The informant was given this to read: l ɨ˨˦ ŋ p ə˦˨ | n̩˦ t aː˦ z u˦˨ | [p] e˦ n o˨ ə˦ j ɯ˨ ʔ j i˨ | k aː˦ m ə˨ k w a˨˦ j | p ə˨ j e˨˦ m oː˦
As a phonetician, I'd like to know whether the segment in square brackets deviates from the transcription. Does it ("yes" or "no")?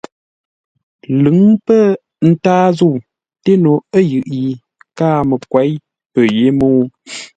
yes